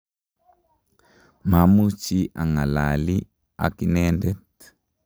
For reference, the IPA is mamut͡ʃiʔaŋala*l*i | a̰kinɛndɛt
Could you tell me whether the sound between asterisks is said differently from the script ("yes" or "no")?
no